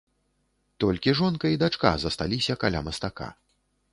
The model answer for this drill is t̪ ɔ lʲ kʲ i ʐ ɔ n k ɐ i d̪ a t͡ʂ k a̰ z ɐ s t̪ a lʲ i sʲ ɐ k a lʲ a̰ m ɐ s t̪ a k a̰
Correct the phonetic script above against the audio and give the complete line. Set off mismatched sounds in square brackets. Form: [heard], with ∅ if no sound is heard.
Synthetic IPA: t̪ ɔ lʲ kʲ i ʐ ɔ n k ɐ i d̪ a t͡ʂ k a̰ z ɐ s t̪ a lʲ i sʲ ɐ k a lʲ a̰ m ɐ s t̪ a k a̰